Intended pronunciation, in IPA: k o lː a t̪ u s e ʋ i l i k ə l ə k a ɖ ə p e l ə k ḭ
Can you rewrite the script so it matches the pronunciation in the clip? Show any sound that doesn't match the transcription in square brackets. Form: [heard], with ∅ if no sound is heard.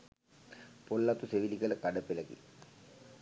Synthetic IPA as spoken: [p] o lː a t̪ u s e ʋ i l i k ə l ə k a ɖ ə p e l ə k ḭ

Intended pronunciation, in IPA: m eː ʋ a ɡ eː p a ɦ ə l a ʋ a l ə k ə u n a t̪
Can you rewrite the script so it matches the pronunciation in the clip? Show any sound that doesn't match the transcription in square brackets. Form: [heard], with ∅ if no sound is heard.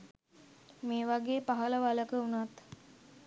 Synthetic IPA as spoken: m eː ʋ a ɡ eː p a ɦ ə l [ə] ʋ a l ə k ə u n a t̪

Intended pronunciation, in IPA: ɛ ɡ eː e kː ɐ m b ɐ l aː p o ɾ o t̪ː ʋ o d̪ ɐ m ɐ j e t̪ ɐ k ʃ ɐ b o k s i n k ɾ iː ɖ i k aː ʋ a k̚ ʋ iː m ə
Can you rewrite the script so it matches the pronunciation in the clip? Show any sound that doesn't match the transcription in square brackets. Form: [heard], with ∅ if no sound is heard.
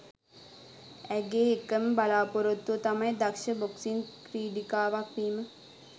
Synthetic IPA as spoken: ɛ ɡ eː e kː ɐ m b ɐ l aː p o ɾ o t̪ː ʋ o [t̪] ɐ m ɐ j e [d̪] ɐ k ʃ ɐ b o k s i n k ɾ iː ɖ i k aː ʋ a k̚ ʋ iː m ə

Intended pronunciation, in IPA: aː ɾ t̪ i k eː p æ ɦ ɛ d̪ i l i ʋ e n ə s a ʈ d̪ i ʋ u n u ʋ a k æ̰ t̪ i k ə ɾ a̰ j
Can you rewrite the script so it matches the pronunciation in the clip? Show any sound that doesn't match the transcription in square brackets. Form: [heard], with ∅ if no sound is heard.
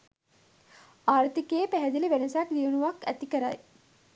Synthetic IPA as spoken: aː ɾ t̪ i k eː p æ ɦ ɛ d̪ i l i ʋ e n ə s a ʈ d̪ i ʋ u n u ʋ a k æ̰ t̪ i k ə ɾ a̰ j

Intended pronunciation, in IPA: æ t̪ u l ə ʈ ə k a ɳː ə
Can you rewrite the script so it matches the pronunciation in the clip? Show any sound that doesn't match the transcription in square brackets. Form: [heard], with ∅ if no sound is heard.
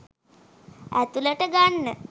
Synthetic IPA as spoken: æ t̪ u l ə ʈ ə [ɡ] a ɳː ə

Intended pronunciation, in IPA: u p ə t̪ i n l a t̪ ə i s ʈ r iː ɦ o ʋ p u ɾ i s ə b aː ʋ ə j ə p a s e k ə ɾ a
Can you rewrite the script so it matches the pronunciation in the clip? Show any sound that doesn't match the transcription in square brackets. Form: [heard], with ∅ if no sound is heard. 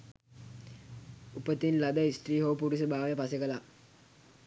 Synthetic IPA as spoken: u p ə t̪ i n l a [d̪] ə i s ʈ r iː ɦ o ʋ p u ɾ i s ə b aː ʋ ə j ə p a s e k ə [l] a

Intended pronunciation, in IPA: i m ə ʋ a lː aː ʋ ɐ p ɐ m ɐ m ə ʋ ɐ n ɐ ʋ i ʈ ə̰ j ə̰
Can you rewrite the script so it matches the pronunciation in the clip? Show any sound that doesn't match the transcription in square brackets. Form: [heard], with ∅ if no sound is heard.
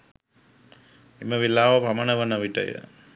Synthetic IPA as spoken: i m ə ʋ [i] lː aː ʋ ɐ p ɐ m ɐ [n] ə ʋ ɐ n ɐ ʋ i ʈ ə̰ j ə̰

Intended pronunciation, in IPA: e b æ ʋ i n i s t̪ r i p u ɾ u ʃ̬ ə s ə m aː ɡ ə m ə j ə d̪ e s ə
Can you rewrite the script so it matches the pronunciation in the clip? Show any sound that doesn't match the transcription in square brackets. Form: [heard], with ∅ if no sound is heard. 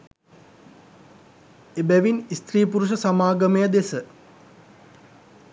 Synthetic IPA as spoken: e b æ ʋ i n i s t̪ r [iː] p u ɾ u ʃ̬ ə s [a] m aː ɡ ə m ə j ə d̪ e s ə

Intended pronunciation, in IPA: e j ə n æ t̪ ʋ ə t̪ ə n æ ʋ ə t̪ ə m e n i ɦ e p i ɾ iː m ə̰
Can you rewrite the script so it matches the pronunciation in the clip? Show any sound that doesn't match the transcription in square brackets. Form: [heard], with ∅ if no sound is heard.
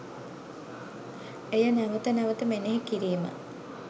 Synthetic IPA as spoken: e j ə n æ [∅] ʋ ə t̪ ə n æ ʋ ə t̪ ə m e n [e] ɦ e [k] i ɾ iː m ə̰

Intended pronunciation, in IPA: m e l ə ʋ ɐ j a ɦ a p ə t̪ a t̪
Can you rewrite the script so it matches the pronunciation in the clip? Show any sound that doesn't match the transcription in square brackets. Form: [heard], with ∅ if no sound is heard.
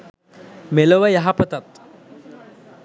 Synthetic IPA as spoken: m e l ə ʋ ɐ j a ɦ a p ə t̪ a t̪

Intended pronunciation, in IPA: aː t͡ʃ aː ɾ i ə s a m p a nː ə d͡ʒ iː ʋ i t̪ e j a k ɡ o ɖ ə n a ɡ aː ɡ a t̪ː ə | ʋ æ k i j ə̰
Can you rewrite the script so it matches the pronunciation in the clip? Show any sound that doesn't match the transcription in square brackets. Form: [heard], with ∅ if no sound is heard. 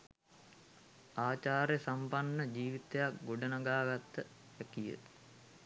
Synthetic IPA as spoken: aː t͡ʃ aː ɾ [j] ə s a m p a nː ə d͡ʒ iː ʋ i t̪ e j a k ɡ o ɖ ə n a ɡ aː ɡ a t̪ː ə | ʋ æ k i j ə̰

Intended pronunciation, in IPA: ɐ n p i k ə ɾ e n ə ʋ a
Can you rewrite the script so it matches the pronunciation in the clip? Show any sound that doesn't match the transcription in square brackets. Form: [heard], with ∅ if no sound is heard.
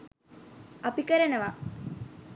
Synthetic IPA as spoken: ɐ [∅] p i k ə ɾ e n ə ʋ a

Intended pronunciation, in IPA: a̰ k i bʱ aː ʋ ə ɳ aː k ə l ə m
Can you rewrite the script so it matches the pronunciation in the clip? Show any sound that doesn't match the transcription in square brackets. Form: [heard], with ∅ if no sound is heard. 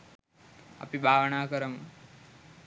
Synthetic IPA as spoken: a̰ [p] i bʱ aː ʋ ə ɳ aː k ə [ɾ] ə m

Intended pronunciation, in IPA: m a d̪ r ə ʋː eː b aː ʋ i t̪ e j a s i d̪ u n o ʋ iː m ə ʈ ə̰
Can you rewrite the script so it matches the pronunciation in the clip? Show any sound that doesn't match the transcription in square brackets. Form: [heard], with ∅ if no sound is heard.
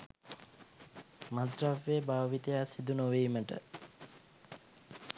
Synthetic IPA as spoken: m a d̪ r [a] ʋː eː b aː ʋ i t̪ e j a s i d̪ u n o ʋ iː m ə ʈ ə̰

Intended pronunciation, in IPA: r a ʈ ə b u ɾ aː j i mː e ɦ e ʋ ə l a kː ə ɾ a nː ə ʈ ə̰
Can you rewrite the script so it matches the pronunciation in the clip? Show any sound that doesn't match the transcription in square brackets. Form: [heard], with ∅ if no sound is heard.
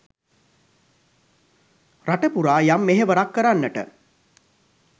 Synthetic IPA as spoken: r a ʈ ə [p] u ɾ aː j [a] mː e ɦ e ʋ ə [ɾ] a kː ə ɾ a nː ə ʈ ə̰

